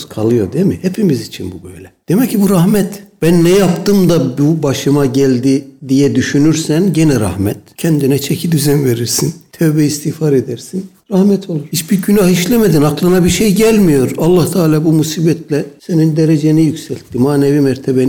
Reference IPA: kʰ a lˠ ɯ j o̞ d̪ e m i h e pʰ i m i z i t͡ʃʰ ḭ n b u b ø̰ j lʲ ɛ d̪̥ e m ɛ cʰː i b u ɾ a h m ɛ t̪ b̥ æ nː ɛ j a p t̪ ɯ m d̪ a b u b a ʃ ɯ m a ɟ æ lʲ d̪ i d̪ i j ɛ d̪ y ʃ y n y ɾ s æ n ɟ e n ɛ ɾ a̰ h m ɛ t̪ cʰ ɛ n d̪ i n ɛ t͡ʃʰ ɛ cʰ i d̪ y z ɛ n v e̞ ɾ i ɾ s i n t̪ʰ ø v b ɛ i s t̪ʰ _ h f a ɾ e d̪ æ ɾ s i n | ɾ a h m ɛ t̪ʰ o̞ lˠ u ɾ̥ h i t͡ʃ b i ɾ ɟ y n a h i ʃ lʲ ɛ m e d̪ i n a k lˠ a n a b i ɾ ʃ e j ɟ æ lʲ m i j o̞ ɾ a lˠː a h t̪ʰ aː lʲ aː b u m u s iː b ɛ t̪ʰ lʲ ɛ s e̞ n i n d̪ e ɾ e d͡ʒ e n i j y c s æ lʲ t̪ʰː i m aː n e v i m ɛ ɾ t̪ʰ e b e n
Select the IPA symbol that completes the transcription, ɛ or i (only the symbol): i